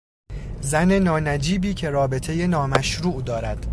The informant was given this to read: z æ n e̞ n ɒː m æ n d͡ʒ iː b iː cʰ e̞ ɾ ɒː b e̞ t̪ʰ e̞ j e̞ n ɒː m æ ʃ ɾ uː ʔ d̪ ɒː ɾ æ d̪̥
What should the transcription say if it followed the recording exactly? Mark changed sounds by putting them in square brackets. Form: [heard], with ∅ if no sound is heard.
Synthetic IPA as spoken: z æ n e̞ n ɒː [n] æ [∅] d͡ʒ iː b iː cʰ e̞ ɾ ɒː b e̞ t̪ʰ e̞ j e̞ n ɒː m æ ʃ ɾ uː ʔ d̪ ɒː ɾ æ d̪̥